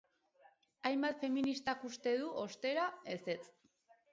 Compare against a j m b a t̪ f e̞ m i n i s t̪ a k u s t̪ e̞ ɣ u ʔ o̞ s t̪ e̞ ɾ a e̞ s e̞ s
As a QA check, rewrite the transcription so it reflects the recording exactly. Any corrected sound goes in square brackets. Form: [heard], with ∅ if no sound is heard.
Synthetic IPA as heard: a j m b a t̪ f e̞ m i n i s t̪ a k u s t̪ e̞ [ð] u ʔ o̞ s t̪ e̞ ɾ a e̞ s e̞ [t͡s]